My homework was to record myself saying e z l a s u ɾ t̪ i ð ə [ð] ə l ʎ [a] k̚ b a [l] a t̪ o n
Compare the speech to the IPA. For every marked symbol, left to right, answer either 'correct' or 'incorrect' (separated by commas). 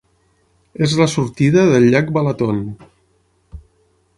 correct, correct, correct